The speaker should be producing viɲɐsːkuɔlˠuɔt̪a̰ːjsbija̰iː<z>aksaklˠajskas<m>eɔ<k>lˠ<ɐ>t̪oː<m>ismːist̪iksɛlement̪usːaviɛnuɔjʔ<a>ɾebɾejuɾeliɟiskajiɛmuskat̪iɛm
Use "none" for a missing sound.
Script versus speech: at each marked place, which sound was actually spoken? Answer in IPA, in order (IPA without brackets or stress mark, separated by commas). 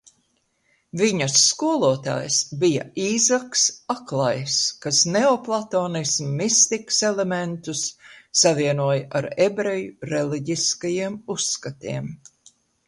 z, n, p, a, n, a